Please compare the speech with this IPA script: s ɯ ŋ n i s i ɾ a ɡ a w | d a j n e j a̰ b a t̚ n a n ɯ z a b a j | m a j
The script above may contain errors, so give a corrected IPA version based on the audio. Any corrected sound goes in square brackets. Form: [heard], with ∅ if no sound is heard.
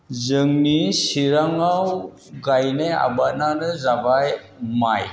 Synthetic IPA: [z] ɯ ŋ n i s i ɾ a [ŋ] a w | [ɡ] a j n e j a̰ b a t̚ n a n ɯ z a b a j | m a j